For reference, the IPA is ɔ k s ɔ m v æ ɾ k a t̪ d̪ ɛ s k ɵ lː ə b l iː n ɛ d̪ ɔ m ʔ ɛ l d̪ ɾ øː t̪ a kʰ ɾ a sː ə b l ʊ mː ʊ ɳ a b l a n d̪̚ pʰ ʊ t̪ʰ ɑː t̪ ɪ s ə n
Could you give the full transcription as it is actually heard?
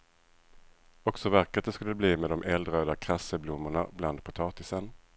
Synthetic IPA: ɔ k s ɔ v æ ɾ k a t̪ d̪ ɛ s k ɵ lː ə b l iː m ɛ d̪ ɔ m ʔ ɛ l d̪ ɾ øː d̪ a kʰ ɾ a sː ə b l ʊ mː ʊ ɳ a b l a n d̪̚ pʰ ʊ t̪ʰ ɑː t̪ ɪ s ə n